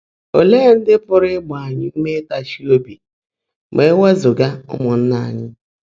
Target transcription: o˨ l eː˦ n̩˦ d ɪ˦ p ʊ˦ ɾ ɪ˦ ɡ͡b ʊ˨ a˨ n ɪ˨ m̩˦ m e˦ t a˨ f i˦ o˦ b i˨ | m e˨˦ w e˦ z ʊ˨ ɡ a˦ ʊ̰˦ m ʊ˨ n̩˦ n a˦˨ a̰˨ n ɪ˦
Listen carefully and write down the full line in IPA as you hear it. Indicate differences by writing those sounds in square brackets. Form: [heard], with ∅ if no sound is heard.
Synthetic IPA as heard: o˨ l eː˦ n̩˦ d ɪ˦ p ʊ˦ ɾ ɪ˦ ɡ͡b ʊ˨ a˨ [ɲ] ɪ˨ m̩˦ m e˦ t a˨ [ʃ] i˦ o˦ b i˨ | m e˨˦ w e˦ z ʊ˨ ɡ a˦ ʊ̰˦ m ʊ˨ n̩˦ n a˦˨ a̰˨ [ɲ] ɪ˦